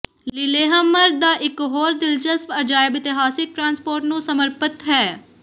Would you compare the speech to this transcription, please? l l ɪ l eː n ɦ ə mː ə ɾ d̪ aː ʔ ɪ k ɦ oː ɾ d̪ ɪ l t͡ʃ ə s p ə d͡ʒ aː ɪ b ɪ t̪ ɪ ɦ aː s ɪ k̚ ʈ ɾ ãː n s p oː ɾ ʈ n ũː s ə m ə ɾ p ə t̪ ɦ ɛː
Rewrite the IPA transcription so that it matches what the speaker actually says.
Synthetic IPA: l l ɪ l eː ɦ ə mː ə ɾ d̪ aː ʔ ɪ k ɦ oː ɾ d̪ ɪ l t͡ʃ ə s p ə d͡ʒ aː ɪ b ɪ t̪ ɪ ɦ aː s ɪ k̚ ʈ ɾ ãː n s p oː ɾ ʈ n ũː s ə m ə ɾ p ə t̪ ɦ ɛː